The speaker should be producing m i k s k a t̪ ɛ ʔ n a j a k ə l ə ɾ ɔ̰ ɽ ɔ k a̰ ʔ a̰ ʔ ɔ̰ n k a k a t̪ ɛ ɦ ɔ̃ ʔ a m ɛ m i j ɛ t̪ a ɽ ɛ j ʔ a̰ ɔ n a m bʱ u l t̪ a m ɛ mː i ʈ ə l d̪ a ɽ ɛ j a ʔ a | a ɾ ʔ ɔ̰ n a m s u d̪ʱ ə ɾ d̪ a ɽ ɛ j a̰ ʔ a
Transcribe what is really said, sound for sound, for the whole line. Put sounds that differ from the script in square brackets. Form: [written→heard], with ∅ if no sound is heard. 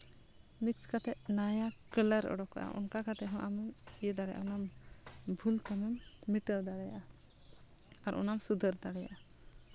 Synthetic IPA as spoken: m i k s k a t̪ ɛ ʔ n a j a k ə l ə ɾ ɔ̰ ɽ ɔ k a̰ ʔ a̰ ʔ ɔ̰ n k a k a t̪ ɛ ɦ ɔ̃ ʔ a m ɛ m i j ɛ [t̪→d̪] a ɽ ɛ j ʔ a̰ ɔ n a m bʱ u l t̪ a m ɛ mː i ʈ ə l d̪ a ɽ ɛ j a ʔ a | a ɾ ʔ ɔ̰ n a m s u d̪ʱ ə ɾ d̪ a ɽ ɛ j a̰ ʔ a

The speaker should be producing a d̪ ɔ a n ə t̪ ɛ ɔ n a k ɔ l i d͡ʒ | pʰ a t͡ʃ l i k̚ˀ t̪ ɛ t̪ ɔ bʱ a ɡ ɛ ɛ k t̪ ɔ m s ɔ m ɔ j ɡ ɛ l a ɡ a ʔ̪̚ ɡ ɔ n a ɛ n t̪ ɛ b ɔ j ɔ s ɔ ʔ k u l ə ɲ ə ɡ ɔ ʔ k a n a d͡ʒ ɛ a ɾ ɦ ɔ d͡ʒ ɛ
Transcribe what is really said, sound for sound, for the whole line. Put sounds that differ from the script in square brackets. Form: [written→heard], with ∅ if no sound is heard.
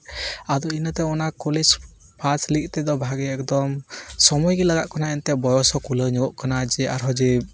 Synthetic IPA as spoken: a d̪ ɔ [a→i] n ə t̪ ɛ ɔ n a k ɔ l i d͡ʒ | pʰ a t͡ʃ l i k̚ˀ t̪ ɛ [t̪→d̪] ɔ bʱ a ɡ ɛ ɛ k [t̪→d̪] ɔ m s ɔ m ɔ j ɡ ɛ l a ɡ a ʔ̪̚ [ɡ→k] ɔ n a ɛ n t̪ ɛ b ɔ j ɔ s ɔ [ʔ→∅] k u l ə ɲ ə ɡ ɔ ʔ k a n a d͡ʒ ɛ a ɾ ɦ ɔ d͡ʒ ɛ

